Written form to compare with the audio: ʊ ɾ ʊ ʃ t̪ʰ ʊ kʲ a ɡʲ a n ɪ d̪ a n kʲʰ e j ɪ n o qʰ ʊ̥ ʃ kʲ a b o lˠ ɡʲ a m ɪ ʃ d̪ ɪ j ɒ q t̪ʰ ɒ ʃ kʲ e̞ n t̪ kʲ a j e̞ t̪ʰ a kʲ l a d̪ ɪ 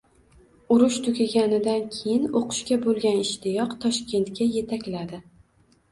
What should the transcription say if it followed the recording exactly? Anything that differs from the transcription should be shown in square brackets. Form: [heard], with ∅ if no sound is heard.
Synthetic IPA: ʊ ɾ ʊ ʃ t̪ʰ ʊ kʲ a ɡʲ a n ɪ d̪ a n kʲʰ e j ɪ n o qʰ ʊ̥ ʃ kʲ a b o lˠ ɡʲ a [n] ɪ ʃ [t̪] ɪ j ɒ q t̪ʰ ɒ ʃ kʲ e̞ n t̪ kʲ a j e̞ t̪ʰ a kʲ l a d̪ ɪ